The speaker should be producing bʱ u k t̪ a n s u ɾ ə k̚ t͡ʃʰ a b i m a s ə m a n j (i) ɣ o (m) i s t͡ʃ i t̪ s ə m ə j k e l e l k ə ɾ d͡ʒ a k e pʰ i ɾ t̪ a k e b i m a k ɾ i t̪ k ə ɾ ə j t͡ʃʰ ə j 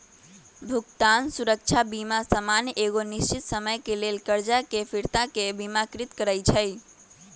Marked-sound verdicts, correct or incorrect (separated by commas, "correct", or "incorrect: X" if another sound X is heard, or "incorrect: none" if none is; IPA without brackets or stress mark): incorrect: e, incorrect: n